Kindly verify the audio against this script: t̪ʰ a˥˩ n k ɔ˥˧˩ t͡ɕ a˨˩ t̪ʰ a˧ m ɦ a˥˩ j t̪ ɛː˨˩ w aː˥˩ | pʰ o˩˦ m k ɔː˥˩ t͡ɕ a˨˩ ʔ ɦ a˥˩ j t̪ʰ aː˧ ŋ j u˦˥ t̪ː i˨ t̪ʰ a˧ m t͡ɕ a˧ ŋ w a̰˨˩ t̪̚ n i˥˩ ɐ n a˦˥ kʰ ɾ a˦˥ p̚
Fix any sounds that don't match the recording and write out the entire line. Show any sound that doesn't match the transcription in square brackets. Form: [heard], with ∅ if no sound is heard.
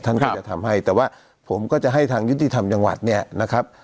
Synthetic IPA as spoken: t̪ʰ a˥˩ n k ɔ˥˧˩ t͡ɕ a˨˩ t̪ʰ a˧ m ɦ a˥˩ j t̪ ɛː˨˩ w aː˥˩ | pʰ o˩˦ m k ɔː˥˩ t͡ɕ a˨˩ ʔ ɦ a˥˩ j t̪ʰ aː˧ ŋ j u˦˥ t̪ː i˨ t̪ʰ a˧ m t͡ɕ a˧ ŋ w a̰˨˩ t̪̚ n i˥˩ ɐ n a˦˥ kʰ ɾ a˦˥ p̚